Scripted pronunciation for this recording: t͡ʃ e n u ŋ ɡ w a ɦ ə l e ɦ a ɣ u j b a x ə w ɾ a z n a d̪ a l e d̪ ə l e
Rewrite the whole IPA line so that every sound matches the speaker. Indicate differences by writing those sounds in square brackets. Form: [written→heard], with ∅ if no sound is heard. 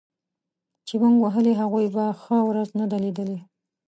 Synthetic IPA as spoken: t͡ʃ e [n→m] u ŋ ɡ w a ɦ ə l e ɦ a ɣ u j b a x ə w ɾ a z n a d̪ a l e d̪ ə l e